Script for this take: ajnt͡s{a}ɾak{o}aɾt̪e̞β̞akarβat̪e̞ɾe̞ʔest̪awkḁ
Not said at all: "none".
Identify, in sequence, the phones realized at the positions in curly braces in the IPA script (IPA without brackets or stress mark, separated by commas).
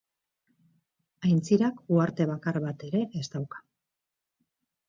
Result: i, u